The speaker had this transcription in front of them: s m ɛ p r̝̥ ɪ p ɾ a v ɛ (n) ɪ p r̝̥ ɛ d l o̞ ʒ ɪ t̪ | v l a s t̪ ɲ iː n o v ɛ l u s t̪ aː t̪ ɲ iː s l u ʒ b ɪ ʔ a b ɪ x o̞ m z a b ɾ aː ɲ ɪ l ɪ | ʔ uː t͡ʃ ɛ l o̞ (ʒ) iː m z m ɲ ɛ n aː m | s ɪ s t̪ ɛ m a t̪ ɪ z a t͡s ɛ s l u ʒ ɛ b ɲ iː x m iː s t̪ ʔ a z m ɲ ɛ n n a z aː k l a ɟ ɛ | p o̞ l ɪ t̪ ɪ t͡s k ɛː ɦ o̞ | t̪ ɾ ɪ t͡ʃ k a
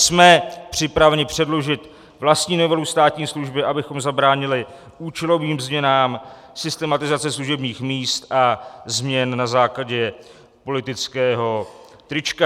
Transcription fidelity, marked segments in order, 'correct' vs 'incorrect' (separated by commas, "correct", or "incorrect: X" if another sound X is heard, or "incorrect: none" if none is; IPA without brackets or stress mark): incorrect: ɲ, incorrect: v